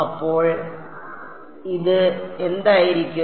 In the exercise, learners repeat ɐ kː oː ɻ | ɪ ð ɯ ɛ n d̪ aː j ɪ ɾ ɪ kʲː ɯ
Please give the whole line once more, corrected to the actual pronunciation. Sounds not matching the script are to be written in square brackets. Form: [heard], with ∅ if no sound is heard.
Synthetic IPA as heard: ɐ [pː] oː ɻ | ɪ ð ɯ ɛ n d̪ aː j ɪ ɾ ɪ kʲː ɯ